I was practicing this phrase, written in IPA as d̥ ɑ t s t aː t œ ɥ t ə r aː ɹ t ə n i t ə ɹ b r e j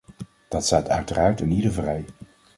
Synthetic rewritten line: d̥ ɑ t s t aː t œ ɥ t ə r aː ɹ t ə n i d ə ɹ v r ɛ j